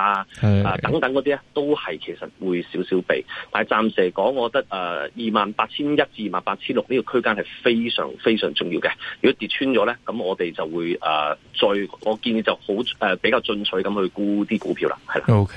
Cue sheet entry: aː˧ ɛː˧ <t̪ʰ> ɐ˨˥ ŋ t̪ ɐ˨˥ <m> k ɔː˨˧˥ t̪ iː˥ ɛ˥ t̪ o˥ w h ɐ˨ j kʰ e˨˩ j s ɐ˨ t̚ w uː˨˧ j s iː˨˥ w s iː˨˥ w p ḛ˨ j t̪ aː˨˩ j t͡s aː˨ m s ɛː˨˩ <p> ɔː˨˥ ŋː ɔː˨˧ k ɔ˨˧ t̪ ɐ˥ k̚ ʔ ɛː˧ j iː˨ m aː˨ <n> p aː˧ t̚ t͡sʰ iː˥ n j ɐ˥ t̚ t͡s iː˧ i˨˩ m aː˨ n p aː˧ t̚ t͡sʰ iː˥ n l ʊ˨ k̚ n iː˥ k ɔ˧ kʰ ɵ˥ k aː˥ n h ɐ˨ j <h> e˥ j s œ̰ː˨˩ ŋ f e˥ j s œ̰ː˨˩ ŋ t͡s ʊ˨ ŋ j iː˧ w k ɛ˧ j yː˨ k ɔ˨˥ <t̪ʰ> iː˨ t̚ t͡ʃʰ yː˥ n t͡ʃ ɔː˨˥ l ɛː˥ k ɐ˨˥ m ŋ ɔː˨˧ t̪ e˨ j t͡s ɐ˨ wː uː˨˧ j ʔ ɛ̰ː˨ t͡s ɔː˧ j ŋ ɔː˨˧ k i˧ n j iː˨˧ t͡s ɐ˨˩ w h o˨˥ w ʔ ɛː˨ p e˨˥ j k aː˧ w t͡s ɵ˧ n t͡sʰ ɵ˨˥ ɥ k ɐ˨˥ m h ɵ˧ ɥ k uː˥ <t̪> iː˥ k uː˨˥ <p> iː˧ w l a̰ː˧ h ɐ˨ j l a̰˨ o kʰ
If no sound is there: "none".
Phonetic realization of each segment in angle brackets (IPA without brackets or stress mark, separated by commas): t̪, ŋ, k, n, f, t̪, t̪, pʰ